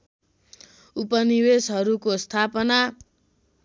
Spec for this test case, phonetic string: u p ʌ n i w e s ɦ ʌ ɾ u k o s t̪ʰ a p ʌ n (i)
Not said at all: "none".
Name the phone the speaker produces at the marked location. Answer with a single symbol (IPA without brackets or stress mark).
a